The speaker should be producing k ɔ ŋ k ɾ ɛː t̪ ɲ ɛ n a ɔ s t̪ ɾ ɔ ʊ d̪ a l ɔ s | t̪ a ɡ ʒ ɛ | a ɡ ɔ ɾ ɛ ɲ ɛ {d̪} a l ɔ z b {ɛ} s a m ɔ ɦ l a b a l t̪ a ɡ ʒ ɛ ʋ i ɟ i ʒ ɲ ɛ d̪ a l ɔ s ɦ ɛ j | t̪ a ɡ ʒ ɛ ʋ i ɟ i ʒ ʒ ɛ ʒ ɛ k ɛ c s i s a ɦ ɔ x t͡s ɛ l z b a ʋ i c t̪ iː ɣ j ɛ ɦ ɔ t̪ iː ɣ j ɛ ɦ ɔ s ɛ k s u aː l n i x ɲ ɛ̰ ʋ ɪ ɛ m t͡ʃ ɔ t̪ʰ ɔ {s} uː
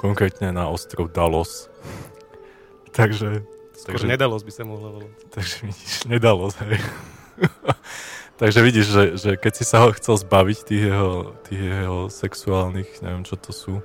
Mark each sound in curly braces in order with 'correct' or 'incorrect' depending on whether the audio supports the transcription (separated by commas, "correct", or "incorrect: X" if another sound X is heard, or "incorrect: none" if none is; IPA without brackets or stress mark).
correct, incorrect: i, correct